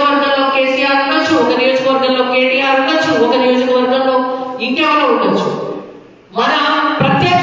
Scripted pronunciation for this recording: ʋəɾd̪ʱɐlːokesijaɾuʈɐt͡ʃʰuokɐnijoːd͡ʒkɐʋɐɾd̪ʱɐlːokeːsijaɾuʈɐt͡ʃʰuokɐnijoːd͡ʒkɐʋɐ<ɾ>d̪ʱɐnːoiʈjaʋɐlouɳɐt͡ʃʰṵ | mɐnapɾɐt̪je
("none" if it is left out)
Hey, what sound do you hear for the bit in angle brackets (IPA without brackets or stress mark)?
ɾ